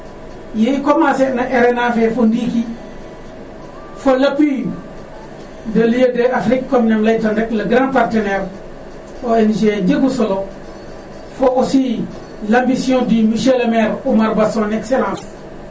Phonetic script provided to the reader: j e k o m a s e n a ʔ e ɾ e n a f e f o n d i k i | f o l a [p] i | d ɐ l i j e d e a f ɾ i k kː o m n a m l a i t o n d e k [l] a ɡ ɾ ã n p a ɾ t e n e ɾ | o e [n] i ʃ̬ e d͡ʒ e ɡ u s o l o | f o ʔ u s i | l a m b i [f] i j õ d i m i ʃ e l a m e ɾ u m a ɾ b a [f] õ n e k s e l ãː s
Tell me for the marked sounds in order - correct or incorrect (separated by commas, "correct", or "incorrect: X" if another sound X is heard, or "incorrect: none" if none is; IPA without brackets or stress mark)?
correct, correct, correct, incorrect: s, incorrect: s